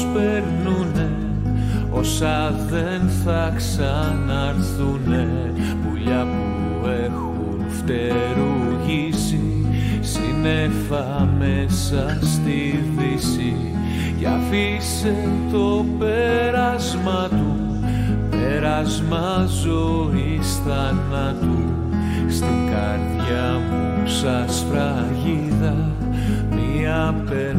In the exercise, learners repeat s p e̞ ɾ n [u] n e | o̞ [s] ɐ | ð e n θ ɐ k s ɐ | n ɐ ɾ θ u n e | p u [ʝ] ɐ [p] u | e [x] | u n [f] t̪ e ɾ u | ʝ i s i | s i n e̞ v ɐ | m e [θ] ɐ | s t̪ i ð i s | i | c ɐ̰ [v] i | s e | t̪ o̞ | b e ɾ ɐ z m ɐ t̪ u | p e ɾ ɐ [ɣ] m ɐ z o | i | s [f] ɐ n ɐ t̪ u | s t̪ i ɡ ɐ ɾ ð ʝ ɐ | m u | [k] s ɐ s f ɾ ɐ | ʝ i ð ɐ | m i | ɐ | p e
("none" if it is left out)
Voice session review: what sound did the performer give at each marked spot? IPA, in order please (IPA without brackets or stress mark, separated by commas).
u, s, ʎ, p, x, f, s, f, z, θ, p